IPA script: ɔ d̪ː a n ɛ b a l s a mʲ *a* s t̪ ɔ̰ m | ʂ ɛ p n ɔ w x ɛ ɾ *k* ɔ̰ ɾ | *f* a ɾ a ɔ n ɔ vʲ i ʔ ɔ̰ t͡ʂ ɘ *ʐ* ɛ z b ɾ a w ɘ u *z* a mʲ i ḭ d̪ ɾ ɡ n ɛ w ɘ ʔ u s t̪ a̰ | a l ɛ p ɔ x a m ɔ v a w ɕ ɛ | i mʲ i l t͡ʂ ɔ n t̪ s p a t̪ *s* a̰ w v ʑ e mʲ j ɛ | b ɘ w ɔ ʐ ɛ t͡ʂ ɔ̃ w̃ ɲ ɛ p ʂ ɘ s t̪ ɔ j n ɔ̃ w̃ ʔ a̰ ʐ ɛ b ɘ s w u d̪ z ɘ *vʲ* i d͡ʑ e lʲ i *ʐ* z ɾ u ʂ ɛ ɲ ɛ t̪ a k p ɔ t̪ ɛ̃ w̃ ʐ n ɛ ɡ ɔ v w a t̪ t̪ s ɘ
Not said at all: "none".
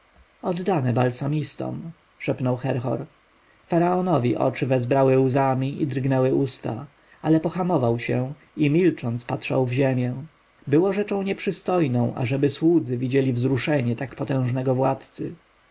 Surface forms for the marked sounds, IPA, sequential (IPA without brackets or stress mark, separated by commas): i, x, f, v, z, ʂ, vʲ, v